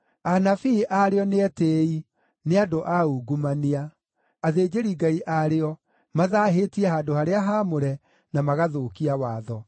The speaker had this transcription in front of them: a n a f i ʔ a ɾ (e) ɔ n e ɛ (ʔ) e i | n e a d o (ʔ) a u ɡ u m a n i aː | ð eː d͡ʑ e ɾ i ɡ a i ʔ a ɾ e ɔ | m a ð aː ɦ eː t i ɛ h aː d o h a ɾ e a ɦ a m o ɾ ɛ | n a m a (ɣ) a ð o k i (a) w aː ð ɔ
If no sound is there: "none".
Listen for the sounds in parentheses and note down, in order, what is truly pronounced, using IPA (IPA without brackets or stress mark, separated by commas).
e, t, ʔ, ɣ, a